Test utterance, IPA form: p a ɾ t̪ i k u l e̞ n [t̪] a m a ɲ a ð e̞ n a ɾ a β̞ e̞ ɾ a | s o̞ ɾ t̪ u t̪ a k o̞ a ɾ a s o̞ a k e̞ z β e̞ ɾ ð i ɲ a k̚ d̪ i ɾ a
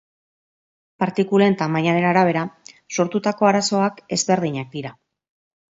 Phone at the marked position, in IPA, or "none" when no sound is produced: t̪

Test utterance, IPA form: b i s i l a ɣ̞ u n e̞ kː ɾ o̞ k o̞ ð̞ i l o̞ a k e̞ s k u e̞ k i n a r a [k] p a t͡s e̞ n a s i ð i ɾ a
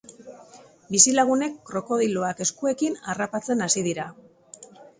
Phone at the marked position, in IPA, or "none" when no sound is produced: none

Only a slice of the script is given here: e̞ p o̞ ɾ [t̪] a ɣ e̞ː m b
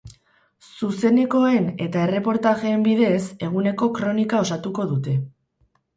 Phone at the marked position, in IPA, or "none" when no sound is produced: t̪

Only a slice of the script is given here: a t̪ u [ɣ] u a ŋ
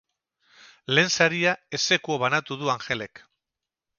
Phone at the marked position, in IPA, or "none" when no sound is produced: ð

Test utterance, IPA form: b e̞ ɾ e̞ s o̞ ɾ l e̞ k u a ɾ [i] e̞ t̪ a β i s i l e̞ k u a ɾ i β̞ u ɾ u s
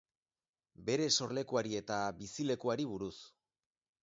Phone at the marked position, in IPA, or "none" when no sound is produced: i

